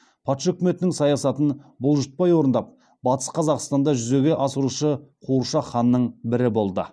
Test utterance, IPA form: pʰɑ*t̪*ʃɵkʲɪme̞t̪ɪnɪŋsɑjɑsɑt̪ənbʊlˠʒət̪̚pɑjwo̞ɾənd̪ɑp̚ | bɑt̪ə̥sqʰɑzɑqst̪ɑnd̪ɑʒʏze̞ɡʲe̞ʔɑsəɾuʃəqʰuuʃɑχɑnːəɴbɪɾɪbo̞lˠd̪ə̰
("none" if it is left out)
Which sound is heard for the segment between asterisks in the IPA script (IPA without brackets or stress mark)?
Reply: t̪